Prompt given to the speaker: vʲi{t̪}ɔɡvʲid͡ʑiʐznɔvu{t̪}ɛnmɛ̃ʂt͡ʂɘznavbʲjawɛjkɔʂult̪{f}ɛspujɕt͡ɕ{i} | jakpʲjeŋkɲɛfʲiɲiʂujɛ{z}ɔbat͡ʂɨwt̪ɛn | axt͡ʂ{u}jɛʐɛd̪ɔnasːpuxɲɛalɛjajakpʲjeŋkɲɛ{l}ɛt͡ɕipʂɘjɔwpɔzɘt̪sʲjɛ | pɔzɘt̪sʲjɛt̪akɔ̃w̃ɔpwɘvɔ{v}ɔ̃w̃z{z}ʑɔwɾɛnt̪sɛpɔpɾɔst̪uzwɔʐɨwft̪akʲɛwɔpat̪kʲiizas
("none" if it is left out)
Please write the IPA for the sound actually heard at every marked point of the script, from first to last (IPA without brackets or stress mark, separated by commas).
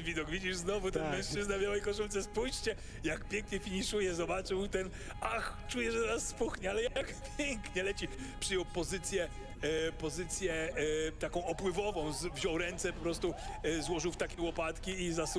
d̪, t̪, s, ɛ, z, u, l, v, v